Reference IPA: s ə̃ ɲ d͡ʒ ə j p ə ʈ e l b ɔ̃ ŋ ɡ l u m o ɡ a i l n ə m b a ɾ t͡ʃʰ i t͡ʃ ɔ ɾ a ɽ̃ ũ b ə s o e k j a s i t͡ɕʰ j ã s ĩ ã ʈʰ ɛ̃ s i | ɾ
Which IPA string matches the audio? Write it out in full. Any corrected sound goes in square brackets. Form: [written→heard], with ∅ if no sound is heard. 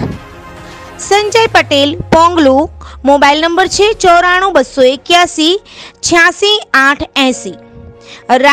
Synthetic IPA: s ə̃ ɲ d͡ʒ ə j p ə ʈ e l [b→p] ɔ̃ ŋ ɡ l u m o [ɡ→b] a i l n ə m b [a→ə] ɾ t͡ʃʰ [i→e] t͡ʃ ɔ ɾ a ɽ̃ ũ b ə s o e k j a s i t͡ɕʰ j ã s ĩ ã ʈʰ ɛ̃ s i | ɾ

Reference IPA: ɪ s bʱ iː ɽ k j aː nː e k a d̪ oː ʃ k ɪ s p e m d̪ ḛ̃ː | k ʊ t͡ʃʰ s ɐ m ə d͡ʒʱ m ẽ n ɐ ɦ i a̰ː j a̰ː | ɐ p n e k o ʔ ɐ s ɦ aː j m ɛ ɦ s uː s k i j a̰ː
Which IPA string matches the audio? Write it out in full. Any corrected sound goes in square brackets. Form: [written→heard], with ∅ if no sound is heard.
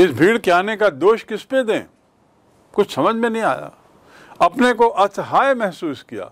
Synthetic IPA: ɪ s bʱ iː ɽ k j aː [nː→n] e k a d̪ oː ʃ k ɪ s p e [m→∅] d̪ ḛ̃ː | k ʊ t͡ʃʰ s ɐ m ə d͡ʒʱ m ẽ n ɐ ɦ [i→ĩ] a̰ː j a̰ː | ɐ p n e k o ʔ ɐ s ɦ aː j m ɛ ɦ s uː s k i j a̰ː

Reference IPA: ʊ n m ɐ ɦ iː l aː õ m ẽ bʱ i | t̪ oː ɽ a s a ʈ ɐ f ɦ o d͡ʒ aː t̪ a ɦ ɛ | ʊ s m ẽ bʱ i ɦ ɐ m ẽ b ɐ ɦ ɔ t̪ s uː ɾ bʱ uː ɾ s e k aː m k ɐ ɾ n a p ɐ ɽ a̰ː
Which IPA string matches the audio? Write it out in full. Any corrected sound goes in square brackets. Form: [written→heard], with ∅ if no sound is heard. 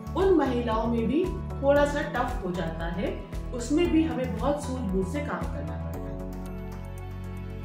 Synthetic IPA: ʊ n m ɐ ɦ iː l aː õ m ẽ bʱ i | [t̪→t̪ʰ] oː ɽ a s a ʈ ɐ f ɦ o d͡ʒ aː t̪ a ɦ ɛ | ʊ s m ẽ bʱ i ɦ ɐ m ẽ b ɐ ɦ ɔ t̪ s uː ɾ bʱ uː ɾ s e k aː m k ɐ ɾ n a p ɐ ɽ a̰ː

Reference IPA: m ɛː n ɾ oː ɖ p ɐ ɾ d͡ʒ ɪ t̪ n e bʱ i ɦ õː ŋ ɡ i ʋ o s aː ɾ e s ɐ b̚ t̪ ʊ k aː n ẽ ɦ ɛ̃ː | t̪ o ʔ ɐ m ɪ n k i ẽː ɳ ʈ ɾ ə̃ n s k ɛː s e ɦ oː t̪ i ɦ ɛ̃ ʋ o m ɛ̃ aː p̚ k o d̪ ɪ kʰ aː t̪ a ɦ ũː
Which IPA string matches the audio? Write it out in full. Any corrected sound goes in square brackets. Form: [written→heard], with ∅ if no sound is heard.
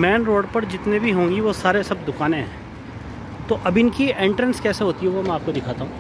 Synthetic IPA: m ɛː n ɾ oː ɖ p ɐ ɾ d͡ʒ ɪ t̪ n e bʱ i ɦ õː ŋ ɡ i ʋ o s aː ɾ e s ɐ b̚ [t̪→d̪] ʊ k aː n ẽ ɦ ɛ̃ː | t̪ o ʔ ɐ [m→b] ɪ n k i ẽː ɳ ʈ ɾ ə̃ n s k ɛː s e ɦ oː t̪ i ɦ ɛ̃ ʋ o m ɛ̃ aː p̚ k o d̪ ɪ kʰ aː t̪ a ɦ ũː

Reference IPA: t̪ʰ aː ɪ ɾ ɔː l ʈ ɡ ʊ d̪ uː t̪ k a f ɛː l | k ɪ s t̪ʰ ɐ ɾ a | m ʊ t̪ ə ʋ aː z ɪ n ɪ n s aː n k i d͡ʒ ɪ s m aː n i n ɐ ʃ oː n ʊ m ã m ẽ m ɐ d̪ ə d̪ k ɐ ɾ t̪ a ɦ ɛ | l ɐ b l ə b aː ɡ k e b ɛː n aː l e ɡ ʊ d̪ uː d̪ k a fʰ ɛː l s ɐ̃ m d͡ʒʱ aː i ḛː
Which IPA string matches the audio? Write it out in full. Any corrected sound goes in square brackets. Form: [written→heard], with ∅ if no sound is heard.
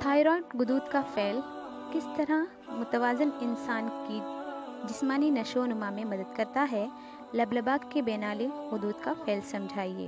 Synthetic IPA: t̪ʰ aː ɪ ɾ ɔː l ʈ ɡ ʊ d̪ uː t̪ k a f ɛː l | k ɪ s [t̪ʰ→t̪] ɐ ɾ a | m ʊ t̪ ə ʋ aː z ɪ n ɪ n s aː n k i d͡ʒ ɪ s m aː n i n ɐ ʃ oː n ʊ m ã m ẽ m ɐ d̪ ə d̪ k ɐ ɾ t̪ a ɦ ɛ | l ɐ b l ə b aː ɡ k e b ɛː n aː l e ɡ ʊ d̪ uː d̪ k a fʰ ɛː l s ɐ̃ m d͡ʒʱ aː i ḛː

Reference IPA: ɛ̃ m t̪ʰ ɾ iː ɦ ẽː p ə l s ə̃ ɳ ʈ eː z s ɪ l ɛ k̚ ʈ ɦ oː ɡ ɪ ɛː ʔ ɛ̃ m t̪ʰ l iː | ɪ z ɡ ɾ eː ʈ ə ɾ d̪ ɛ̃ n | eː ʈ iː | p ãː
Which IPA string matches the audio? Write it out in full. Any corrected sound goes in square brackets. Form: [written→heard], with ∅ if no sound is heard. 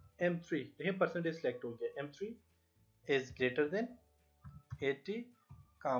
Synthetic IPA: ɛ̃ m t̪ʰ ɾ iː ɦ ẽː p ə [l→ɾ] s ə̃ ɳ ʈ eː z s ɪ l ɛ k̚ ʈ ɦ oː ɡ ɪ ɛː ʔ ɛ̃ m t̪ʰ [l→ɾ] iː | ɪ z ɡ ɾ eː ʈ ə ɾ d̪ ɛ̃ n | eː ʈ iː | [p→k] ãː

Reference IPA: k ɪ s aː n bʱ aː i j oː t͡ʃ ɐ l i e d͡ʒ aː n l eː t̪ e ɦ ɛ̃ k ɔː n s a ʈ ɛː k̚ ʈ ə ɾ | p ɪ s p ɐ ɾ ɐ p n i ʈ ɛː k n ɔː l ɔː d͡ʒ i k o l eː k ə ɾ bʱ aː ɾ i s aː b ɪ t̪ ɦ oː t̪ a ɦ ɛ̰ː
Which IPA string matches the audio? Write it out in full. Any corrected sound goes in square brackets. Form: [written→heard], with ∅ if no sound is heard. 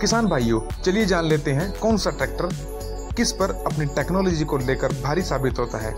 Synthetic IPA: k ɪ s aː n bʱ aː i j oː t͡ʃ ɐ l i e d͡ʒ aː n l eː t̪ e ɦ ɛ̃ k ɔː n s a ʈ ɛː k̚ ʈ ə ɾ | [p→k] ɪ s p ɐ ɾ ɐ p n i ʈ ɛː k n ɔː l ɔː d͡ʒ i k o l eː k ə ɾ bʱ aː ɾ i s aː b ɪ t̪ ɦ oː t̪ a ɦ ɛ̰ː

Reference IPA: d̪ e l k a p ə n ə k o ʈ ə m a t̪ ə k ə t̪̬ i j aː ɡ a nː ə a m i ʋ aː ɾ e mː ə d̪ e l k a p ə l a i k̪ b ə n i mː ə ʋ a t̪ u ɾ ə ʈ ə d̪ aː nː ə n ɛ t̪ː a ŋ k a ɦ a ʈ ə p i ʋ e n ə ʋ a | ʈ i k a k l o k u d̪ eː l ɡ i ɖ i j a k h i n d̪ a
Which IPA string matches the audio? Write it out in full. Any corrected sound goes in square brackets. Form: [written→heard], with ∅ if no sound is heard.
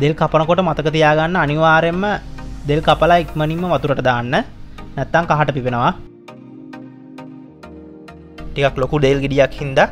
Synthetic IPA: d̪ e l k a p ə n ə k o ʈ ə m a t̪ ə k ə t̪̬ i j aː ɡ a nː ə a [m→n] i ʋ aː ɾ e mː ə d̪ e l k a p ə l a i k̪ [b→m] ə n i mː ə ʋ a t̪ u ɾ ə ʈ ə d̪ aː nː ə n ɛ t̪ː a ŋ k a ɦ a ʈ ə p i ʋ e n ə ʋ a | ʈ i k a k l o k u d̪ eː l ɡ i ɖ i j a k h i n d̪ a

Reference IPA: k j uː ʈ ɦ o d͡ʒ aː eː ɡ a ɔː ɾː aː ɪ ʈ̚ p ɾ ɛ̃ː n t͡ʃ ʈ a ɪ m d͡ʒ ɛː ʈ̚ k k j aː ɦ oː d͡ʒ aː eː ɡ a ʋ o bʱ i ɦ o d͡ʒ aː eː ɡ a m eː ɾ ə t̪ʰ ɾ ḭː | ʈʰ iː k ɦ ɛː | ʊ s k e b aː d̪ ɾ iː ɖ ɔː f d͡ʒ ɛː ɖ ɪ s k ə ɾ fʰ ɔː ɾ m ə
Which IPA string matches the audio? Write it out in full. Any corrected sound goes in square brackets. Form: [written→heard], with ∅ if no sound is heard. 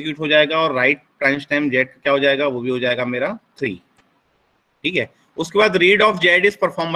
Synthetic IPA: k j uː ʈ ɦ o d͡ʒ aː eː ɡ a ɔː ɾː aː ɪ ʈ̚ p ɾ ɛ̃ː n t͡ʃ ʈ a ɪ m d͡ʒ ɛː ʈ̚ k k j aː ɦ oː d͡ʒ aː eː ɡ a ʋ o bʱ i ɦ o d͡ʒ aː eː ɡ a m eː ɾ [ə→a] t̪ʰ ɾ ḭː | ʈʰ iː k ɦ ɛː | ʊ s k e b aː d̪ ɾ iː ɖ ɔː f d͡ʒ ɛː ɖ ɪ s [k→p] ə ɾ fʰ ɔː ɾ m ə

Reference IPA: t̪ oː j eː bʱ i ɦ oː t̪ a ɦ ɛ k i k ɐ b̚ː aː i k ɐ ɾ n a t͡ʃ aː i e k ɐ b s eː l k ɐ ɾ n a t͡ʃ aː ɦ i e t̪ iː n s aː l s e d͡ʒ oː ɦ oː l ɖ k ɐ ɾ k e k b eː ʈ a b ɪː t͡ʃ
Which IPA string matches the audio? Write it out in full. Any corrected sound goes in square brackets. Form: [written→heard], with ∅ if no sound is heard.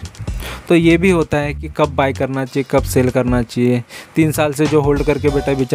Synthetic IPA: t̪ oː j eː bʱ i ɦ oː t̪ a ɦ ɛ k i k ɐ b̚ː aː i k ɐ ɾ n a t͡ʃ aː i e k ɐ b s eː l k ɐ ɾ n a t͡ʃ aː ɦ i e t̪ iː n s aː l s e d͡ʒ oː ɦ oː l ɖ k ɐ ɾ k e [k→∅] b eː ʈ a b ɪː t͡ʃ

